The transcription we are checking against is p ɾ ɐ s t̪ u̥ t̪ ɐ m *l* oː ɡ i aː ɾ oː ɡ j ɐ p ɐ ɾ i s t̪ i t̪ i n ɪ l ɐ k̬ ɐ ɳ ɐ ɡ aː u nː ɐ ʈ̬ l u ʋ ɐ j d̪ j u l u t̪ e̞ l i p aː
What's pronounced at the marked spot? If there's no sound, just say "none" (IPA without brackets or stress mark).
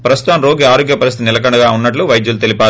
ɾ